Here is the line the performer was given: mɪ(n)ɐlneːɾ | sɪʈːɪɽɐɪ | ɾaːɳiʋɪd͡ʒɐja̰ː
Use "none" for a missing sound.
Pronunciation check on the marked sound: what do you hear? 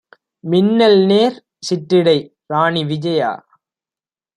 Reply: nː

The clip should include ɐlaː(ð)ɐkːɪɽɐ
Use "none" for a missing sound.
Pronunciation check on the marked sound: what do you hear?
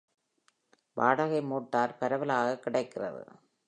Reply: ɣ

